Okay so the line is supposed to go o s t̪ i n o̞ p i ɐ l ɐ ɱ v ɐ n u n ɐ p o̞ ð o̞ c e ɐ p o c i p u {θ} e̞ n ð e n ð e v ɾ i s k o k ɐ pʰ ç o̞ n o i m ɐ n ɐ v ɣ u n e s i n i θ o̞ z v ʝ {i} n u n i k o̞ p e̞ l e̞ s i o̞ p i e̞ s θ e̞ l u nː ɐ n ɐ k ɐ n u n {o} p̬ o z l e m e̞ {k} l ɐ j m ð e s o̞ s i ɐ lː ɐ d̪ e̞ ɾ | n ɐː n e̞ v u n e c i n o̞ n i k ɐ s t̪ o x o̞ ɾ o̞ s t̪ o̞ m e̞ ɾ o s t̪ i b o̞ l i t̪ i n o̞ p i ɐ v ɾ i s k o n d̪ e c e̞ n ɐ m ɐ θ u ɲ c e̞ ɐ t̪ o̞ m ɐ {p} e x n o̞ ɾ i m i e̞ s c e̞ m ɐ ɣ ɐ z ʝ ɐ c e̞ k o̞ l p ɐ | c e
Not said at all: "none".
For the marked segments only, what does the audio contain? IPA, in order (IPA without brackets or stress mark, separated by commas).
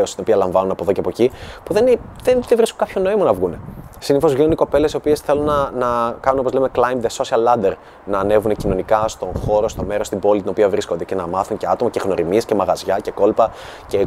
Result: ð, i, o, k, c